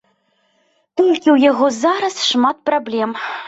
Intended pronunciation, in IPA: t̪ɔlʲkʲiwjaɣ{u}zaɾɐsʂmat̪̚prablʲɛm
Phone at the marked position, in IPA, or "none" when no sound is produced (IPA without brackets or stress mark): ɔ